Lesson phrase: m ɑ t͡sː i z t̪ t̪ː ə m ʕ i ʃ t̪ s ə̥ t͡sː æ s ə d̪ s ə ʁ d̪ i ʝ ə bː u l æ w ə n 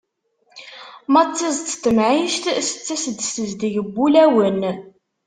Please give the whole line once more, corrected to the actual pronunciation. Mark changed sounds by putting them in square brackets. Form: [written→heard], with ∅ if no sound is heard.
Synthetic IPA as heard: m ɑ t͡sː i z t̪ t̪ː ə m ʕ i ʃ t̪ s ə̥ t͡sː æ s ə d̪ s ə [ʁ→z] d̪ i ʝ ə bː u l æ w ə n